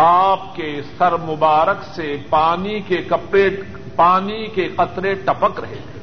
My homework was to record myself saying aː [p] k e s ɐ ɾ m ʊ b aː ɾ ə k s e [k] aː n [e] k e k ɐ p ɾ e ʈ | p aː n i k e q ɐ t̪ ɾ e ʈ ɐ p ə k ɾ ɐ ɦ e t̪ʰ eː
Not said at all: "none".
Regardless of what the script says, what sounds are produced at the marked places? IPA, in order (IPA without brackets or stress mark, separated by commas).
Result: p, p, i